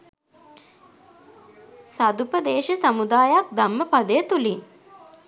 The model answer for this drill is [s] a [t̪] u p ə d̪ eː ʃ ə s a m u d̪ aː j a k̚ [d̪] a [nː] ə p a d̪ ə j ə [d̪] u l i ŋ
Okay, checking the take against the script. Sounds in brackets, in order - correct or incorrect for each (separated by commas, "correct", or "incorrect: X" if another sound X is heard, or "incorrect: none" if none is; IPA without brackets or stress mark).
correct, incorrect: d̪, correct, incorrect: mː, incorrect: t̪